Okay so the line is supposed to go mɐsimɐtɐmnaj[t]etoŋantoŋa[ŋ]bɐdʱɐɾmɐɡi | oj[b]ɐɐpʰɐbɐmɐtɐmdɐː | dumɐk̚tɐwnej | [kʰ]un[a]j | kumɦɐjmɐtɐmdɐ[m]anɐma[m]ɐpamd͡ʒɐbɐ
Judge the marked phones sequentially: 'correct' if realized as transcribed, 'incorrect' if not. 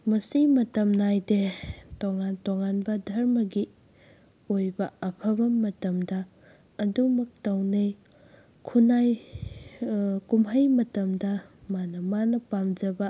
incorrect: d, incorrect: n, correct, correct, correct, correct, incorrect: n

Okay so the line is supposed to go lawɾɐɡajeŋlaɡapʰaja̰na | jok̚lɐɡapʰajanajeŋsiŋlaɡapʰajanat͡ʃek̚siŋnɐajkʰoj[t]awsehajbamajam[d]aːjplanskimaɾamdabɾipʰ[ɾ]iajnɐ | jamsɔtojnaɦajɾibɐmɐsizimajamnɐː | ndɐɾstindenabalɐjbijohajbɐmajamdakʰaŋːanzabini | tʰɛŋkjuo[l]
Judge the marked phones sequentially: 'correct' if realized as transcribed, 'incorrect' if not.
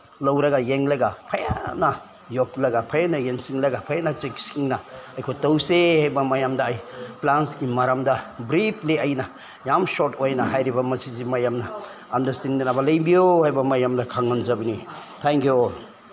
correct, correct, incorrect: l, correct

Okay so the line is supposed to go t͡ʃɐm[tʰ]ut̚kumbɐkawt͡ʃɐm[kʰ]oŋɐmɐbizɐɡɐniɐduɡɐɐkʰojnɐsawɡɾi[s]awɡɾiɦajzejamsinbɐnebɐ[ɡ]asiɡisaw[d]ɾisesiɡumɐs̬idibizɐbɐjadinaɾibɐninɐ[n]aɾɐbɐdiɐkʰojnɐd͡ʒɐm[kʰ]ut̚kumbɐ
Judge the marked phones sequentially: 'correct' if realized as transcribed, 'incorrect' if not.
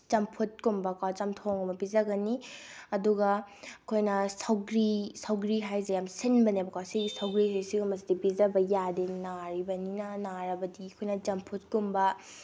incorrect: pʰ, incorrect: tʰ, correct, incorrect: k, incorrect: ɡ, correct, incorrect: pʰ

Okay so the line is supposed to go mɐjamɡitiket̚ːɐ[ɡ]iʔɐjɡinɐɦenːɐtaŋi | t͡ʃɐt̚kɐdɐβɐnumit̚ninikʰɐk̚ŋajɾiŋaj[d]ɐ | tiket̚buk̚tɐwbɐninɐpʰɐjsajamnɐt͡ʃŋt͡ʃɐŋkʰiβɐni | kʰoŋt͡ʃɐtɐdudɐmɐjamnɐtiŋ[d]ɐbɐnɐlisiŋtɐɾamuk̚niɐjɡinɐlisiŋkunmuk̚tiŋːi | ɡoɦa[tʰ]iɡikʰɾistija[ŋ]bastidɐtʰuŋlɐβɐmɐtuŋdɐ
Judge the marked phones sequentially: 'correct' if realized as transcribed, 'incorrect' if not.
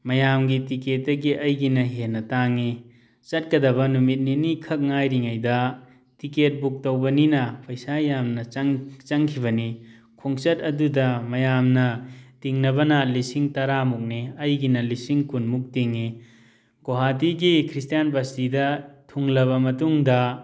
correct, correct, incorrect: n, incorrect: t, incorrect: n

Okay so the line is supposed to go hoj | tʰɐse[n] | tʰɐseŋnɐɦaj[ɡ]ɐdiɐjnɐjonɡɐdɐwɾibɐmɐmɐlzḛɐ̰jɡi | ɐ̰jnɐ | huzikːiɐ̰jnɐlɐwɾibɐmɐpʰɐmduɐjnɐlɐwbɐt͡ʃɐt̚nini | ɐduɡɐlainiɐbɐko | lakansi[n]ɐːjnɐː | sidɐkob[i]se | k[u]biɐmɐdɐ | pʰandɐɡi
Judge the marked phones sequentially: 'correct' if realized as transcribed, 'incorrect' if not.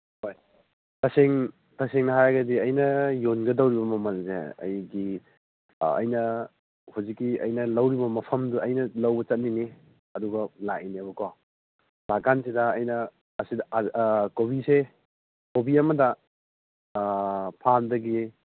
incorrect: ŋ, correct, incorrect: d, correct, incorrect: o

